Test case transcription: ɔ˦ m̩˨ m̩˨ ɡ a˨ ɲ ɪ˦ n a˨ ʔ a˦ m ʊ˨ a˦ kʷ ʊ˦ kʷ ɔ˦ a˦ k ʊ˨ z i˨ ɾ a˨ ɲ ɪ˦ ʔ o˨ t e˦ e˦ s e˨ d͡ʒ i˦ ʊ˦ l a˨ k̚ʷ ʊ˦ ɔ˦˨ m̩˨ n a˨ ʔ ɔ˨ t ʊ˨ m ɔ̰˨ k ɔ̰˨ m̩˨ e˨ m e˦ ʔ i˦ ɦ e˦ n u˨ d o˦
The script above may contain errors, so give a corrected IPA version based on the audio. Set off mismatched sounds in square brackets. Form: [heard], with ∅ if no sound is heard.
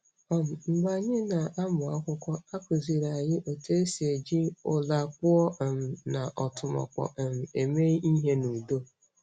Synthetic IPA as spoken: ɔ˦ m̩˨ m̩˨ [ɡ͡b] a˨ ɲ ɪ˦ n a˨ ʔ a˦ m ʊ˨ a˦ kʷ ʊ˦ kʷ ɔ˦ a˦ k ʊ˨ z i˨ ɾ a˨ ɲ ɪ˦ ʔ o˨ t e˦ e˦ s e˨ d͡ʒ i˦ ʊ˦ l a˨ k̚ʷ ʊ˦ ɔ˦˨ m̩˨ n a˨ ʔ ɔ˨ t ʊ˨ m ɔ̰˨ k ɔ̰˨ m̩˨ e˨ m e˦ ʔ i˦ ɦ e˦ n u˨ d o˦